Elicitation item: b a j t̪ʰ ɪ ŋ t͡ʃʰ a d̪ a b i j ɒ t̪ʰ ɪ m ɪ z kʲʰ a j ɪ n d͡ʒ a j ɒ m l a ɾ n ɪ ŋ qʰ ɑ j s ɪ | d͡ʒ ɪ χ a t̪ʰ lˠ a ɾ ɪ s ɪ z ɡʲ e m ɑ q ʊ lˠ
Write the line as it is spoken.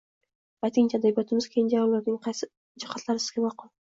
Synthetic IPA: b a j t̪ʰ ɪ ŋ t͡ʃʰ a d̪ a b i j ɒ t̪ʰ ɪ m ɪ z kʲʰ e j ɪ n d͡ʒ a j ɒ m l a ɾ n ɪ ŋ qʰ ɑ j s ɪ | d͡ʒ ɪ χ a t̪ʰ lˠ a ɾ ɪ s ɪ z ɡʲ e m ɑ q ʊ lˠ